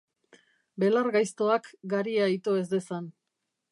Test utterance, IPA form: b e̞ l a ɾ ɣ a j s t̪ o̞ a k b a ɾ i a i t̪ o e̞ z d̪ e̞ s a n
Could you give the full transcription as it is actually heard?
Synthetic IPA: b e̞ l a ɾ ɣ a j s t̪ o̞ a k ɡ a ɾ i a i t̪ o e̞ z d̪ e̞ s a n